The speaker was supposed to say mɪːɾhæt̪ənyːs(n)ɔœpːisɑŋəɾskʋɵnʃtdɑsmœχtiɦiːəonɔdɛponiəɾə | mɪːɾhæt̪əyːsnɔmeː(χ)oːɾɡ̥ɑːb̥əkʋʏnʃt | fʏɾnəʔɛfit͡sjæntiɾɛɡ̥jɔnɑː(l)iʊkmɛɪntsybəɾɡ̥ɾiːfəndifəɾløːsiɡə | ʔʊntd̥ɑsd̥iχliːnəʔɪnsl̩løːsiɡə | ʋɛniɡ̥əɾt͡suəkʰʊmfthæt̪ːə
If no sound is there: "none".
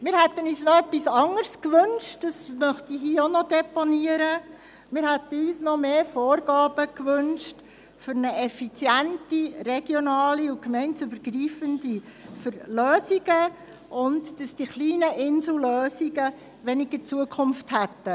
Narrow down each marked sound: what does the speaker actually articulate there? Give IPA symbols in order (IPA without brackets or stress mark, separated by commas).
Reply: n, f, l